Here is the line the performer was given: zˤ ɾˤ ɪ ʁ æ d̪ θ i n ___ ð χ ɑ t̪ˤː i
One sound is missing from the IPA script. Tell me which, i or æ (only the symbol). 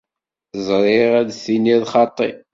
i